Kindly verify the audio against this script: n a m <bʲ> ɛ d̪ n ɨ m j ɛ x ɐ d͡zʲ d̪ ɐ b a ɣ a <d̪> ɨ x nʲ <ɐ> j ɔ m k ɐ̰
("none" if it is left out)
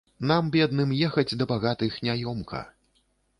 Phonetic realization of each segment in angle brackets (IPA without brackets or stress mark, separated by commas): bʲ, t̪, a